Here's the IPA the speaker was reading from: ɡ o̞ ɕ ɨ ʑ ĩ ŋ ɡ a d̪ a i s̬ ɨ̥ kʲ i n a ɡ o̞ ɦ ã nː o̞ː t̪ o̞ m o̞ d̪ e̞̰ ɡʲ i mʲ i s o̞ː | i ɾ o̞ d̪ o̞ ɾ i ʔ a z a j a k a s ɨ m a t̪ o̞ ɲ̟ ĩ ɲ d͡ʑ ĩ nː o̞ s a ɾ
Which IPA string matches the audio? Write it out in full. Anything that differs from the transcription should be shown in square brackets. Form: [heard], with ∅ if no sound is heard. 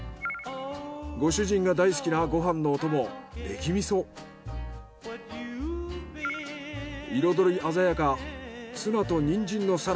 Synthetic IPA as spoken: ɡ o̞ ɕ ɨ ʑ ĩ ŋ ɡ a d̪ a i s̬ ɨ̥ kʲ i n a ɡ o̞ ɦ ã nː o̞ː t̪ o̞ m o̞ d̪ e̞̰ [kʲ] i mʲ i s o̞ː | i ɾ o̞ d̪ o̞ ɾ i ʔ a z a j a k a s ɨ [n] a t̪ o̞ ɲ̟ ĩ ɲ d͡ʑ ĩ nː o̞ s a ɾ